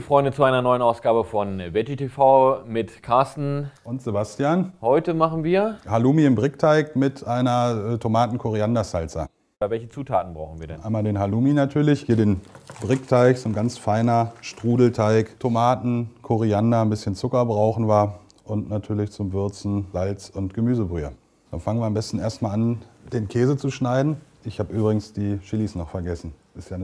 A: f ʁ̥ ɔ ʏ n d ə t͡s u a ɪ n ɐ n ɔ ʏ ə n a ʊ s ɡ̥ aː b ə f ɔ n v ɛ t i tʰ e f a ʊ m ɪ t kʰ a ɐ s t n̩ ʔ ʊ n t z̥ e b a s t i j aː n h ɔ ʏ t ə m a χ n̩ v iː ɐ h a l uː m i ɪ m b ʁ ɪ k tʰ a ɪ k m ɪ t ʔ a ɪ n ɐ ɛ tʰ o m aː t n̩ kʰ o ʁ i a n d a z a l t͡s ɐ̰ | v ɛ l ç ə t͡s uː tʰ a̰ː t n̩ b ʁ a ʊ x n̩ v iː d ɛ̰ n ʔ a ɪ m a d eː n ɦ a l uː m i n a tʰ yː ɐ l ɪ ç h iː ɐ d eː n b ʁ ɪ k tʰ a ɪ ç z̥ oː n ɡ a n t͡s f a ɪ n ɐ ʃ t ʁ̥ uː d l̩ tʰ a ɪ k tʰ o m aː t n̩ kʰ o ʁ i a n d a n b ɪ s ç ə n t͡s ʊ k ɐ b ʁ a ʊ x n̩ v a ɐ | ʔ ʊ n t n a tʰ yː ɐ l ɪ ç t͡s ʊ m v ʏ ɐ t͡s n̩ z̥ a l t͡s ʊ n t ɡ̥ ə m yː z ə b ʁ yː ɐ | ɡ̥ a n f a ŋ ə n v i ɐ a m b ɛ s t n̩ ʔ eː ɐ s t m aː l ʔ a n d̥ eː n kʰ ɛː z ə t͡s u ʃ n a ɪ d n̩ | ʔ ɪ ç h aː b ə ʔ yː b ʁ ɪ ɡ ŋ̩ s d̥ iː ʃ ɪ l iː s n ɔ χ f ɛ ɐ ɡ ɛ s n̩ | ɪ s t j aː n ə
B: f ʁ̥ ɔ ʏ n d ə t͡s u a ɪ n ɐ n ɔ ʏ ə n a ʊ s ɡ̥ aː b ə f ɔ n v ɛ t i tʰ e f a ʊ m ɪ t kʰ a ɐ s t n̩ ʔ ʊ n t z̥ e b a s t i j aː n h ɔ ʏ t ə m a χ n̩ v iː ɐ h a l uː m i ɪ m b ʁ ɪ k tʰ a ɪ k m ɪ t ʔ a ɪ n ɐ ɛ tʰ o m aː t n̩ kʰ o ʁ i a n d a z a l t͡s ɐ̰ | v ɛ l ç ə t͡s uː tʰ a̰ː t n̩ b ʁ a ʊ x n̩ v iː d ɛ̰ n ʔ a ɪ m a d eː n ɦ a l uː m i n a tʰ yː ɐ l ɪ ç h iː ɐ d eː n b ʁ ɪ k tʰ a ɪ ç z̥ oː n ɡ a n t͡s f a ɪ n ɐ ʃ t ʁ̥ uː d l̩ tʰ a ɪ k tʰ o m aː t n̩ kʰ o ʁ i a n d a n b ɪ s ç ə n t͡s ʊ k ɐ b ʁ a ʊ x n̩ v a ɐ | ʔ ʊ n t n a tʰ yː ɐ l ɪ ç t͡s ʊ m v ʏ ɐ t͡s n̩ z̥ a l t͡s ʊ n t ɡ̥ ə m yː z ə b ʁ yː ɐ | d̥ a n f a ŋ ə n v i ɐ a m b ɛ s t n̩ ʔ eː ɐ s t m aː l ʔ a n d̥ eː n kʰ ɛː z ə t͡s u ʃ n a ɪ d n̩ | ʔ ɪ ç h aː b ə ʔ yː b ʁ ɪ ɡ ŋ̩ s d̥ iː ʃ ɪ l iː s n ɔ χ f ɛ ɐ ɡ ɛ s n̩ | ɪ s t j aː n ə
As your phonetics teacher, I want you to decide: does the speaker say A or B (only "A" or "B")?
B